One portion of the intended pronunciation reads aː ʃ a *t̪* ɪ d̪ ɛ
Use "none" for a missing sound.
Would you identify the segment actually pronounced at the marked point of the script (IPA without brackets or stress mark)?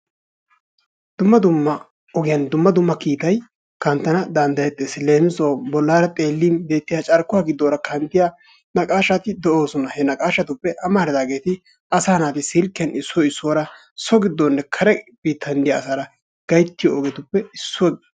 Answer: t̪